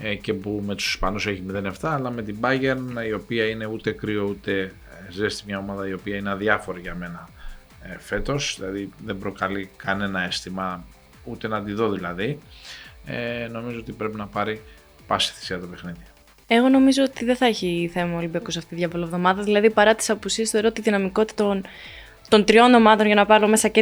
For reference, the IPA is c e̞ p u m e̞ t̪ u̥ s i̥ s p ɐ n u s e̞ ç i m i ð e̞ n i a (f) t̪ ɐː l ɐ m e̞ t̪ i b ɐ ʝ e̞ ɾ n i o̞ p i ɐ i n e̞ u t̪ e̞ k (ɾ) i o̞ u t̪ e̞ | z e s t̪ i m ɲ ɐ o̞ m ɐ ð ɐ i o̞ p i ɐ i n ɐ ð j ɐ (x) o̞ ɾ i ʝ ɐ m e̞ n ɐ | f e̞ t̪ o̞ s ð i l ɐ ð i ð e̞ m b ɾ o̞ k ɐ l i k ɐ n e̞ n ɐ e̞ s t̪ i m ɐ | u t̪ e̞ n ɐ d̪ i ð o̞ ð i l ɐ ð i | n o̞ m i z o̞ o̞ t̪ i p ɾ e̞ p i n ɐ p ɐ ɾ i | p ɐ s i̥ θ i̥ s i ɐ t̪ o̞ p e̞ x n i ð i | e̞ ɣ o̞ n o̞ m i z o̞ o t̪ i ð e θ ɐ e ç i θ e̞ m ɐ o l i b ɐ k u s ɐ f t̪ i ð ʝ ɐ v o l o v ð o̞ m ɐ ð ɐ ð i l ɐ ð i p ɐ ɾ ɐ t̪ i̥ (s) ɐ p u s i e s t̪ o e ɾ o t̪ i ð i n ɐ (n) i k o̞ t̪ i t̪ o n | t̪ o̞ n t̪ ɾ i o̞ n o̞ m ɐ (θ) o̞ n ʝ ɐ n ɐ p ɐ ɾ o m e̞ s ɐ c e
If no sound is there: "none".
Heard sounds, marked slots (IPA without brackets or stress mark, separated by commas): f, ɾ, f, s, m, ð